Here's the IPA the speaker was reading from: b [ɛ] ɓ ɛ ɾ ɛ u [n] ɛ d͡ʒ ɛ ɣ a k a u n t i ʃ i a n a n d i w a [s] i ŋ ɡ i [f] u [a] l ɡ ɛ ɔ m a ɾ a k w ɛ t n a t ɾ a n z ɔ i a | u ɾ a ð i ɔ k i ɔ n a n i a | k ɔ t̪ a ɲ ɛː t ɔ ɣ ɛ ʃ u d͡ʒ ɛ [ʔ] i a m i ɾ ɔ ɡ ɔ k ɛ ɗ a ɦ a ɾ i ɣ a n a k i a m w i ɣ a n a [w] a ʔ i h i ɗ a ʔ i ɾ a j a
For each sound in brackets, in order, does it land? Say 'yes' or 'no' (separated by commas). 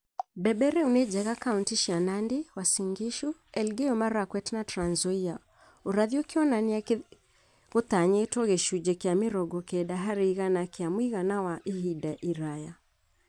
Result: yes, yes, yes, no, no, no, yes